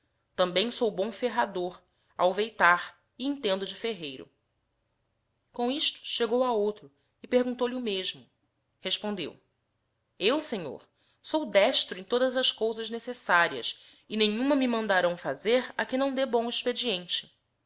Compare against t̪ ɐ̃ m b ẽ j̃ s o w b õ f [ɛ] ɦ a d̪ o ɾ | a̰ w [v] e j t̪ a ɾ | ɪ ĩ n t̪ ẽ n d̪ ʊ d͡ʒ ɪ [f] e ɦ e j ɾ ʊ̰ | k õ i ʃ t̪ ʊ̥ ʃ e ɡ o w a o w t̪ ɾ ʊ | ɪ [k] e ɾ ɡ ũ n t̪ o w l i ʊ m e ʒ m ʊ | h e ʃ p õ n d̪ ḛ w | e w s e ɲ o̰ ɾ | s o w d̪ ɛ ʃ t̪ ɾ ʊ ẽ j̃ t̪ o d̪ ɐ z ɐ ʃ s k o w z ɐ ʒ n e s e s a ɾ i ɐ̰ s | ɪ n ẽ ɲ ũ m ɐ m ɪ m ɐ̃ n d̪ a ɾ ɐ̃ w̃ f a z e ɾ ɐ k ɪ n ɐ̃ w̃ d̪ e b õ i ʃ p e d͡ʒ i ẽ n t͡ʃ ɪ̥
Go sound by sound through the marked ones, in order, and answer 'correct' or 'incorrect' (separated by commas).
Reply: incorrect, correct, correct, incorrect